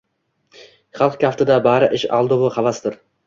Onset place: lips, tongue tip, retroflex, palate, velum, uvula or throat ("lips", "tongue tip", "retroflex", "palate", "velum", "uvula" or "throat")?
uvula